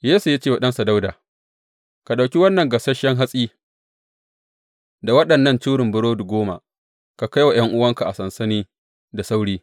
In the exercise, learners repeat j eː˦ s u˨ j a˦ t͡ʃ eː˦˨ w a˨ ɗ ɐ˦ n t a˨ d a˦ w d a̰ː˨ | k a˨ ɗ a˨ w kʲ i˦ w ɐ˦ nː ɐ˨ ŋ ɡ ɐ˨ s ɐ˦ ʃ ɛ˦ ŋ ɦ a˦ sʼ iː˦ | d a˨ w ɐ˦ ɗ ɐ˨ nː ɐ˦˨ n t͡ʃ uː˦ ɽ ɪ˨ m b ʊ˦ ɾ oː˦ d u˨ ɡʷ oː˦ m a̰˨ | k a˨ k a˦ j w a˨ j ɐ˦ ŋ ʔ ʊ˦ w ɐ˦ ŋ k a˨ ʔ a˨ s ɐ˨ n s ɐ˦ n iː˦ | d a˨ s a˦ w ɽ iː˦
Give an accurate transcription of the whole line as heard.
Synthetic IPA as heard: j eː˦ s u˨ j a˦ t͡ʃ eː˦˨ w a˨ ɗ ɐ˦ n s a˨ d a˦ w d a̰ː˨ | k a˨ ɗ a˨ w kʲ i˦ w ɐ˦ nː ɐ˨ ŋ ɡ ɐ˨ s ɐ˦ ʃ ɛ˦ ŋ ɦ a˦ sʼ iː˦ | d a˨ w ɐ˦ ɗ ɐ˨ nː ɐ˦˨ n t͡ʃ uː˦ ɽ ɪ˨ m b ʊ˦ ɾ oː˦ d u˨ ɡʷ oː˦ m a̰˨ | k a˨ k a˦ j w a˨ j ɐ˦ ŋ ʔ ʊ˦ w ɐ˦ ŋ k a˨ ʔ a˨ s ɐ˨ n s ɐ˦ n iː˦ | d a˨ s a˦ w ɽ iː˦

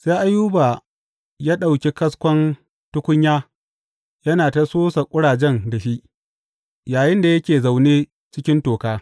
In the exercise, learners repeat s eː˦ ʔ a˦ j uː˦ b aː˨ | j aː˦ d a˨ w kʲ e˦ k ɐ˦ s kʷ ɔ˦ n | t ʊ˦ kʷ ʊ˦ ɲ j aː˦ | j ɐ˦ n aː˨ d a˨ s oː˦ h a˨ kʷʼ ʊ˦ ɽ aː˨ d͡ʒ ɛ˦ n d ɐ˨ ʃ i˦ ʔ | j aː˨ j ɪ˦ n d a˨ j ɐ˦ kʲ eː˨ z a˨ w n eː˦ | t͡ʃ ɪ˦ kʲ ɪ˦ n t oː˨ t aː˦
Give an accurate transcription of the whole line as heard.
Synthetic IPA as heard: s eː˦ ʔ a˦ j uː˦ b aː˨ | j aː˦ ɗ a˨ w kʲ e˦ k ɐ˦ s kʷ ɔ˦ n | t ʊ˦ kʷ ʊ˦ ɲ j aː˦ | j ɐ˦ n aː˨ t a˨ s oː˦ s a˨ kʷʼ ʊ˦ ɽ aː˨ d͡ʒ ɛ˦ n d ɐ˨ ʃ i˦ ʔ | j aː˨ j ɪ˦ n d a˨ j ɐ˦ kʲ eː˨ z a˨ w n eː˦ | t͡ʃ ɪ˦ kʲ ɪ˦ n t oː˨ k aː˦

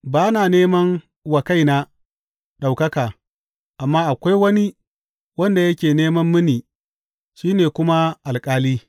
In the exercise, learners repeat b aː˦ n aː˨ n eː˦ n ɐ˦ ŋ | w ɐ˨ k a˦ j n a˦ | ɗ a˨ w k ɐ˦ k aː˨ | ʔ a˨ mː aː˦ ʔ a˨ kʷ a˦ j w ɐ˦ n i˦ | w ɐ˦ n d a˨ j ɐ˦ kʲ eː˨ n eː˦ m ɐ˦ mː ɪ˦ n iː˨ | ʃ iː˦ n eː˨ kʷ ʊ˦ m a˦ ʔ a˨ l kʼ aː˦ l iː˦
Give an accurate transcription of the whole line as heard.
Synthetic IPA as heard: b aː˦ n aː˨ n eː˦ m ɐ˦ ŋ | w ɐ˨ k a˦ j n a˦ | ɗ a˨ w k ɐ˦ k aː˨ | ʔ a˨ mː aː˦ ʔ a˨ kʷ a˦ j w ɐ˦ n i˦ | w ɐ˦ n d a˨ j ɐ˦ kʲ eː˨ n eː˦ m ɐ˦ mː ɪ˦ n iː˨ | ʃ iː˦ n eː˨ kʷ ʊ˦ m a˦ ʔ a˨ l kʼ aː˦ l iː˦

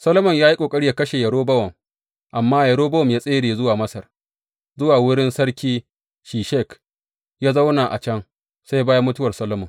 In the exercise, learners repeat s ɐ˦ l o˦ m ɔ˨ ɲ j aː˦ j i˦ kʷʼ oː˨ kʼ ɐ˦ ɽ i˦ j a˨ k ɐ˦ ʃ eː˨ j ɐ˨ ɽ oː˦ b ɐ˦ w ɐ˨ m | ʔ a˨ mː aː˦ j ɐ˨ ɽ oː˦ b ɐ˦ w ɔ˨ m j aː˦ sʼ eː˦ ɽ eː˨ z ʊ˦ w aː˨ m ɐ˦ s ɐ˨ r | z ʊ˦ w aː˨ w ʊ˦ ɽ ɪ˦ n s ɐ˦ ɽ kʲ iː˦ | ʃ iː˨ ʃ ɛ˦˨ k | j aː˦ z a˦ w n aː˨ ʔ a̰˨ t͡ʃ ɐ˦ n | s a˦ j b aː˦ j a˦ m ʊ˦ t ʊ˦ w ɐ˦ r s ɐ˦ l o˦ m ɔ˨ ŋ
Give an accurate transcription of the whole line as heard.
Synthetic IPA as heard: s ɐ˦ l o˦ m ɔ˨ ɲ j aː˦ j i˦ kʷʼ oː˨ kʼ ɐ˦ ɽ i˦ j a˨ k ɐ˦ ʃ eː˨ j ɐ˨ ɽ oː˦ b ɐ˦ w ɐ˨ m | ʔ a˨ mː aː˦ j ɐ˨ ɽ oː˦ b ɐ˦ w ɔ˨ m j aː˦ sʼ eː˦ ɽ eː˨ z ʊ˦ w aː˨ m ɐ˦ s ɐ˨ r | z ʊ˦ w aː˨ w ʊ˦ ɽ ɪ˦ n s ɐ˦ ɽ kʲ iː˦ | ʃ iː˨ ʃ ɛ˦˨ k | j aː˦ z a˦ w n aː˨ ʔ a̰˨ t͡ʃ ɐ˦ ŋ | s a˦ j b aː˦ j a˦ m ʊ˦ t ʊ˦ w ɐ˨ r s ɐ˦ l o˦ m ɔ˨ ŋ

